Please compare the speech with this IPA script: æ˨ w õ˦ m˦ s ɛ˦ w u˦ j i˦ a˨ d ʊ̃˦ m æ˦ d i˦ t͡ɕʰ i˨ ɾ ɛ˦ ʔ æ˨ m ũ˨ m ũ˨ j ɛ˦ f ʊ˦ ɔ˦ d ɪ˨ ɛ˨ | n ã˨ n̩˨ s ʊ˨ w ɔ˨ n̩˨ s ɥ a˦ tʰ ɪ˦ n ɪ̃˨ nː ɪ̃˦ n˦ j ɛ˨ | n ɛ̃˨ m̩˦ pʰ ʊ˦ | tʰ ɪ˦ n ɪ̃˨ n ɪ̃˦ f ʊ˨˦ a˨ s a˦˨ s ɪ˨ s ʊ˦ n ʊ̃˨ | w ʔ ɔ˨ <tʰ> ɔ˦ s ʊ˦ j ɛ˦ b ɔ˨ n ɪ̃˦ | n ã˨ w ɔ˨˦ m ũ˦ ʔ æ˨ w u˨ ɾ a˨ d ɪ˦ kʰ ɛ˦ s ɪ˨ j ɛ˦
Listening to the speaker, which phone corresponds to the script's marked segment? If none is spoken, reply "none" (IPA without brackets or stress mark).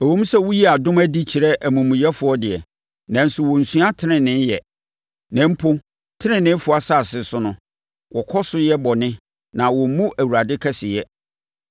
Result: kʰ